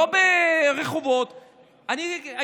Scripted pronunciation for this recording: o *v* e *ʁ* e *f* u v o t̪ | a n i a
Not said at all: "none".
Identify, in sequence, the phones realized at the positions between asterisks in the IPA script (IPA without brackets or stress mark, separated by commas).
b, ʁ, χ